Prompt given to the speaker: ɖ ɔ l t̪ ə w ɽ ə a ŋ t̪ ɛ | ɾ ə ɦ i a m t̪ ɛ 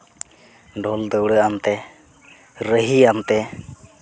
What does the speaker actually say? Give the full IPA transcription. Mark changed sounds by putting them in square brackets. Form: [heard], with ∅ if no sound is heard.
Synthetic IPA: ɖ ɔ l [d̪] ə w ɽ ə a [m] t̪ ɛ | ɾ ə ɦ i a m t̪ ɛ

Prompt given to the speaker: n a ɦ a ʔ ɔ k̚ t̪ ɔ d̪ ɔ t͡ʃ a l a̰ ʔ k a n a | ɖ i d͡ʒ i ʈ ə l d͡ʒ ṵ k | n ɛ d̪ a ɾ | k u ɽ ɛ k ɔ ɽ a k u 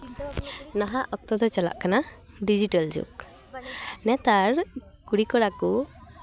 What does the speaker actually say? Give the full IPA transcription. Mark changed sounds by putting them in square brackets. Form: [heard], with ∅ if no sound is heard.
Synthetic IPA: n a ɦ a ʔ ɔ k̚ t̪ ɔ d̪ ɔ t͡ʃ a l a̰ ʔ k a n a | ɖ i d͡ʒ i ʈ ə l d͡ʒ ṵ k | n ɛ [t̪] a ɾ | k u ɽ [i] k ɔ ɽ a k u

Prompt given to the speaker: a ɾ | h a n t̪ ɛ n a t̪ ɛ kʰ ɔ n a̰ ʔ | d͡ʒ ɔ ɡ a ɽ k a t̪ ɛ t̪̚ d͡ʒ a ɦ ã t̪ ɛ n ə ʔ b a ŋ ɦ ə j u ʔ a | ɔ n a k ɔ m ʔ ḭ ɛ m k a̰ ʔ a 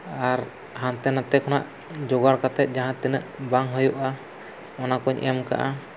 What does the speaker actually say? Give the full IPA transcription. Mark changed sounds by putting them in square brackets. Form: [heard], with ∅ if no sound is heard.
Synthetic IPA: a ɾ | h a n t̪ ɛ n a t̪ ɛ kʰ ɔ n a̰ ʔ | d͡ʒ ɔ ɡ a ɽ k a t̪ ɛ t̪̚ d͡ʒ a ɦ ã t̪ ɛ n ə ʔ b a ŋ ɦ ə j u ʔ a | ɔ n a k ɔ [ɲ] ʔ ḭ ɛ m k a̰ ʔ a

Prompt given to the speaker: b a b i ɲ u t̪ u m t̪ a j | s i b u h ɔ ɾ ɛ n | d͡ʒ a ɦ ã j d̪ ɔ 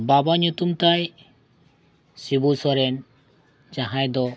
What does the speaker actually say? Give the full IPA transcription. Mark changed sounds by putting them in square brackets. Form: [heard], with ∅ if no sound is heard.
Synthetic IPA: b a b [a] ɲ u t̪ u m t̪ a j | s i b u [s] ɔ ɾ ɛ n | d͡ʒ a ɦ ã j d̪ ɔ

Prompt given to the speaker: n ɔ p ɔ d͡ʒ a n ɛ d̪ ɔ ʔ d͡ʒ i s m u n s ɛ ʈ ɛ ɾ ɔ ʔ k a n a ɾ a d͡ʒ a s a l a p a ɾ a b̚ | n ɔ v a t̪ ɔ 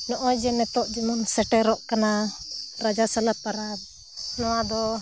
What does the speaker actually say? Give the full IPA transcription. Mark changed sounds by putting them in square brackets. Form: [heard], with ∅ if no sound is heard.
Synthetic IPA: n ɔ [ʔ] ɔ d͡ʒ [ɛ] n ɛ [t̪] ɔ ʔ d͡ʒ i [∅] m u n s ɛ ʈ ɛ ɾ ɔ ʔ k a n a ɾ a d͡ʒ a s a l a p a ɾ a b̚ | n ɔ [w] a [d̪] ɔ

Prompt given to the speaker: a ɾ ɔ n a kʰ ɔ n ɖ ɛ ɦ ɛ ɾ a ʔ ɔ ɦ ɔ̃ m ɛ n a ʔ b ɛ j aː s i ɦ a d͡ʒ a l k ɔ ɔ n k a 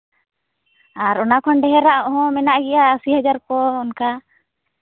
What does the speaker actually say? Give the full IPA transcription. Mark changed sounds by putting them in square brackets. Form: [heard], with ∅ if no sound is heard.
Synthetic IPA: a ɾ ɔ n a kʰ ɔ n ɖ ɛ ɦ ɛ ɾ a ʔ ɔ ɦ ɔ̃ m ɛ n a ʔ [ɡ] ɛ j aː s i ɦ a d͡ʒ a [ɾ] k ɔ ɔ n k a

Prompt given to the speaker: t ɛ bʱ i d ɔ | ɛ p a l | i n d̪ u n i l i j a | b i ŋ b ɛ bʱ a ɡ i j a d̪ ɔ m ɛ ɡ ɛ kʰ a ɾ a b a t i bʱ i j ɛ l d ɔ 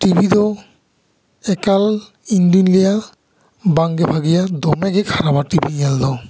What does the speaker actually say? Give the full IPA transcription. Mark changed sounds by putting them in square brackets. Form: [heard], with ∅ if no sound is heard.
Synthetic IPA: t [i] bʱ i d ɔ | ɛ [k] a l | i n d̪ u n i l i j a | b [a] ŋ [ɡ] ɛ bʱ a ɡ i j a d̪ ɔ m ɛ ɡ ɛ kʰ a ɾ a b a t i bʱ i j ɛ l d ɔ

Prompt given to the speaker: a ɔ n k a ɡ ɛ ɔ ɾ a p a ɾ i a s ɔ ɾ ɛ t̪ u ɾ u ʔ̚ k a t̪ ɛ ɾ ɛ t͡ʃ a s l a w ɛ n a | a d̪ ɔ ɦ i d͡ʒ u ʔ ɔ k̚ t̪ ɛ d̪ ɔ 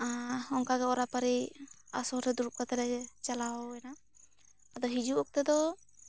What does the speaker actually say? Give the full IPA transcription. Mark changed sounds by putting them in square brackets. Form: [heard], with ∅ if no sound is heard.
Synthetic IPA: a ɔ [ŋ] k a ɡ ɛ ɔ ɾ a p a ɾ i a s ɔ ɾ ɛ [d̪] u ɾ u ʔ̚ k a t̪ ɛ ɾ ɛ t͡ʃ a [∅] l a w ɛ n a | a d̪ ɔ ɦ i d͡ʒ u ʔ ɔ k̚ t̪ ɛ d̪ ɔ

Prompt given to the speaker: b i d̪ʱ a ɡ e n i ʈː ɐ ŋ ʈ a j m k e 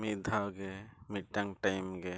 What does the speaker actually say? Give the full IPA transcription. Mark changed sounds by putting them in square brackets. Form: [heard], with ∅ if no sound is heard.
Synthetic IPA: [m] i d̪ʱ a ɡ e [m] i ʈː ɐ ŋ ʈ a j m [ɡ] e

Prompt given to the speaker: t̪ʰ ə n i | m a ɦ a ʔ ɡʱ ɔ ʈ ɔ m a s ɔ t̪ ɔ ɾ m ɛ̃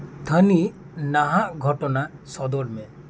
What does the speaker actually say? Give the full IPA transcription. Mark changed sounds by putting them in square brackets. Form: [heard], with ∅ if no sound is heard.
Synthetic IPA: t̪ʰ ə n i | [n] a ɦ a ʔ ɡʱ ɔ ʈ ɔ [n] a s ɔ [d̪] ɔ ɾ m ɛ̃

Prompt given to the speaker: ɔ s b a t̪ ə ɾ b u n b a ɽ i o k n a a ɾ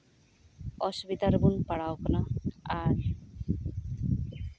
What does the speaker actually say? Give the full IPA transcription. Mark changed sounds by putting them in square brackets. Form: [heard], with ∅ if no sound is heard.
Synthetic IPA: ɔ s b [i] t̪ [a] ɾ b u n [p] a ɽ [a] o k n a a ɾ

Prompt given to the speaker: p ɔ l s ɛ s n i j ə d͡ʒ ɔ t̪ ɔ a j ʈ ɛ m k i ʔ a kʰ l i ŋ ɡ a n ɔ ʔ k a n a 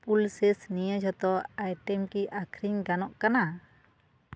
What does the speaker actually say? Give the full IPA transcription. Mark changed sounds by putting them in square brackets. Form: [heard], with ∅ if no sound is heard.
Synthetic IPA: p [u] l s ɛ s n i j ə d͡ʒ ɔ t̪ ɔ a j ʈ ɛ m k i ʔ a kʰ [ɾ] i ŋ ɡ a n ɔ ʔ k a n a

